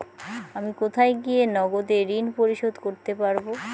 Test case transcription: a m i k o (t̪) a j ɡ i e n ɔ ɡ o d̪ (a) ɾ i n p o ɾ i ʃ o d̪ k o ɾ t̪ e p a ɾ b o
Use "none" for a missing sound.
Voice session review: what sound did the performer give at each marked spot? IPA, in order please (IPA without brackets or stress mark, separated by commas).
t̪ʰ, e